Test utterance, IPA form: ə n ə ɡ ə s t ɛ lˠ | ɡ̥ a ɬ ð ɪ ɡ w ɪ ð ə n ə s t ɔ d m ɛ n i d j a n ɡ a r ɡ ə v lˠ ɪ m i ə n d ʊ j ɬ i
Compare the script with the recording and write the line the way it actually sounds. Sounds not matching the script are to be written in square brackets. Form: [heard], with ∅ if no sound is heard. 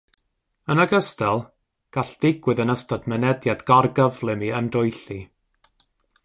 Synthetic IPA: ə n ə ɡ ə s t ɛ lˠ | ɡ̥ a ɬ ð ɪ ɡ w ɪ ð ə n ə s t ɔ d m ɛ n [ɛ] d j a [d] ɡ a r ɡ ə v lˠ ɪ m i ə n d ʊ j ɬ i

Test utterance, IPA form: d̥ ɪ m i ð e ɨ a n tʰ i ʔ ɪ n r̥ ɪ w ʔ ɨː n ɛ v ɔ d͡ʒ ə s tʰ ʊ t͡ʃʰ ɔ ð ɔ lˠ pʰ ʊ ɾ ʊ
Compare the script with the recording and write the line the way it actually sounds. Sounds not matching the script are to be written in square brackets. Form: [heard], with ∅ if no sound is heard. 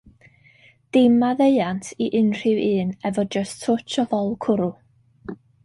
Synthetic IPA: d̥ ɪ m [a] ð e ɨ a n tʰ i ʔ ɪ n r̥ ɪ w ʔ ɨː n ɛ v ɔ d͡ʒ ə s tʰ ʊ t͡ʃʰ ɔ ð ɔ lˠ [kʰ] ʊ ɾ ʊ

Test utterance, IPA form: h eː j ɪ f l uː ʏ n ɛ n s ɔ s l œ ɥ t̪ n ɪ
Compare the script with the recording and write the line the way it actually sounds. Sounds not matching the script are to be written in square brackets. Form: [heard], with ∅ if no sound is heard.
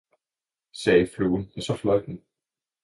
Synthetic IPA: [s] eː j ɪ f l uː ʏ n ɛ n s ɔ [f] l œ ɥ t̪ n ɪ

